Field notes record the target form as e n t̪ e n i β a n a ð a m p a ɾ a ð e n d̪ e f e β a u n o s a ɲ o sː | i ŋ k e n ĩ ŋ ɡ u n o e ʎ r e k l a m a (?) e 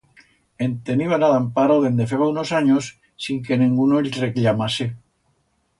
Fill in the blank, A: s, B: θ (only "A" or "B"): A